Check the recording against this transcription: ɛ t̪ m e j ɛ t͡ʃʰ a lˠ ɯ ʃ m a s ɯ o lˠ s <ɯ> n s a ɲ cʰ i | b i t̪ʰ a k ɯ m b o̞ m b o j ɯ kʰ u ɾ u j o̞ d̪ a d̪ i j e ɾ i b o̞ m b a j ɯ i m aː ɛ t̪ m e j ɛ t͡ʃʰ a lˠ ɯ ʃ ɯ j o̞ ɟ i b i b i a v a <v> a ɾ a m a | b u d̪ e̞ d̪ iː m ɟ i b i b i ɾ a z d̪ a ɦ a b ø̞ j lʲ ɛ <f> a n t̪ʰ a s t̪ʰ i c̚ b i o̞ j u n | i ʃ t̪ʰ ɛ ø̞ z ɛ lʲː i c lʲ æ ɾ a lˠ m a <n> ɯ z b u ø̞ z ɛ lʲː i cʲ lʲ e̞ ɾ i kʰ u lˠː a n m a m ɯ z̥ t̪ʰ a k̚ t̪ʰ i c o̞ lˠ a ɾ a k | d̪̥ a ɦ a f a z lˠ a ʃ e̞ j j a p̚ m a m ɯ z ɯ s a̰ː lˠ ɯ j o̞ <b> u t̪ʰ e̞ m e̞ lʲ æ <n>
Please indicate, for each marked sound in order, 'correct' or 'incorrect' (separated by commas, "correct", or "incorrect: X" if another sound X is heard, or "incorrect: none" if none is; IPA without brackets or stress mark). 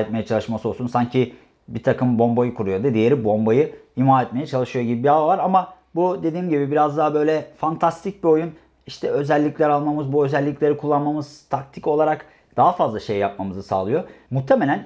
incorrect: u, correct, correct, incorrect: m, incorrect: m, correct